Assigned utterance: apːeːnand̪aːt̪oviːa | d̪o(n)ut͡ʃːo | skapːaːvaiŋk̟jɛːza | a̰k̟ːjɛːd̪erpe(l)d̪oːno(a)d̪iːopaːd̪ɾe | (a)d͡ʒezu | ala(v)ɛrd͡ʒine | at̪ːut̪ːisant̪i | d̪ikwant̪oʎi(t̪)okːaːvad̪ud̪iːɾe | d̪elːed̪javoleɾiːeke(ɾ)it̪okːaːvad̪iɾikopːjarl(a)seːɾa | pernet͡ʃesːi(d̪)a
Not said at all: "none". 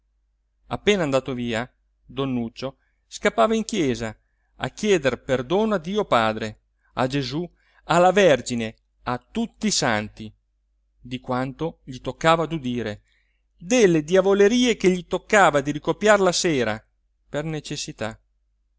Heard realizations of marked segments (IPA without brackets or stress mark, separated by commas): nː, r, a, a, v, t̪, ʎ, a, t̪